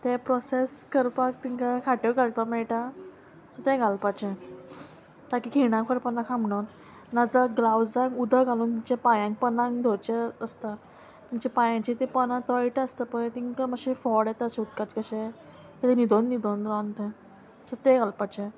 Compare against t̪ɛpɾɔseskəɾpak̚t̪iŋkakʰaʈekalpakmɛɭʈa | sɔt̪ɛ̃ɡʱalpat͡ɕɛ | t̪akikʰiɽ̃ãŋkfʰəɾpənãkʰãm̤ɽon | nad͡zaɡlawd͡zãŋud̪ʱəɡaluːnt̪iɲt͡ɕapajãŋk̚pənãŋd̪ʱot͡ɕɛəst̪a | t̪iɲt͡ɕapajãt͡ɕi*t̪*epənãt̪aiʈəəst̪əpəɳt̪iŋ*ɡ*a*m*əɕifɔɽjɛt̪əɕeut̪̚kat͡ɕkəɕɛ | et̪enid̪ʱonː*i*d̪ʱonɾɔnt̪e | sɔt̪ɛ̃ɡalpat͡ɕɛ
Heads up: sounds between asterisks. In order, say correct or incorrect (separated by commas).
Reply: correct, incorrect, correct, correct